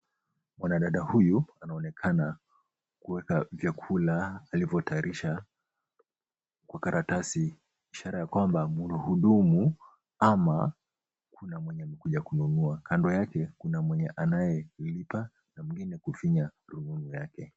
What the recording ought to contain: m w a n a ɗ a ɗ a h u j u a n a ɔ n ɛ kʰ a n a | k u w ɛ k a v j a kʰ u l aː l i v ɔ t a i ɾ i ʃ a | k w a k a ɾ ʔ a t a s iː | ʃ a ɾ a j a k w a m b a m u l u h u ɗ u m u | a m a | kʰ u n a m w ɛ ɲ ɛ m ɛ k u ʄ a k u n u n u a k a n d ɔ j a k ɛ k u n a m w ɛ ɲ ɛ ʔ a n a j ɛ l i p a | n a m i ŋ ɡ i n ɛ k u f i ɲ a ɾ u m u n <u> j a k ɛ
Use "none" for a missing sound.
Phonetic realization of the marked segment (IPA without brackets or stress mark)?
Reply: u